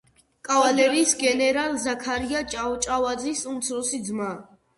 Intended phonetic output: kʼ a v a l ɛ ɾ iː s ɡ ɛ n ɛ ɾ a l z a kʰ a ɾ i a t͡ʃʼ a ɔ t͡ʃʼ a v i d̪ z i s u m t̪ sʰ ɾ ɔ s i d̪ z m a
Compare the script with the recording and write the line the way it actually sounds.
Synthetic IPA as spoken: kʼ a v a l ɛ ɾ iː s ɡ ɛ n ɛ ɾ a l z a kʰ a ɾ i a t͡ʃʼ a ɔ t͡ʃʼ a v a d̪ z i s u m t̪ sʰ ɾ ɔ s i d̪ z m a